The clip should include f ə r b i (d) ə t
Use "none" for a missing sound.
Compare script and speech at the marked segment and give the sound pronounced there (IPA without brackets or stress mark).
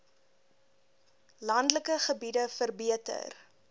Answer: none